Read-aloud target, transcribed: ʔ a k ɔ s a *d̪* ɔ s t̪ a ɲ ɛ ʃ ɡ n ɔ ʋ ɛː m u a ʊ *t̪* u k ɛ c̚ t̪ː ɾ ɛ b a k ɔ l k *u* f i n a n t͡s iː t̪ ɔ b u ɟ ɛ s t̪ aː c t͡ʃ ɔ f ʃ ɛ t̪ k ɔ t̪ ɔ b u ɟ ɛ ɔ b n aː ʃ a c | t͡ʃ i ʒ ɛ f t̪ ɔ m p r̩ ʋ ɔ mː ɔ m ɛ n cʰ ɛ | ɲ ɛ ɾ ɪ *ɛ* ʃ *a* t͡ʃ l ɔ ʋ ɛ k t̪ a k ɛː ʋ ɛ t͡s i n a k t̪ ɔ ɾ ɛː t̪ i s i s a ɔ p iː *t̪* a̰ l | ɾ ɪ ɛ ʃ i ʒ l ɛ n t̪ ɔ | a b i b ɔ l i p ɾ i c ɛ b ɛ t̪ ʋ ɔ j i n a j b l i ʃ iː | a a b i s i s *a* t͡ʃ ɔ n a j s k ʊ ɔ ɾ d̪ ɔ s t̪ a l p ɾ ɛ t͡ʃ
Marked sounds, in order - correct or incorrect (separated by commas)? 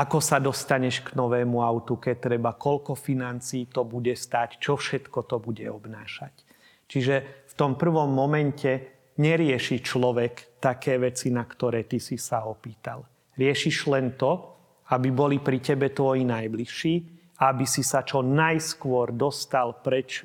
correct, correct, incorrect, correct, incorrect, correct, correct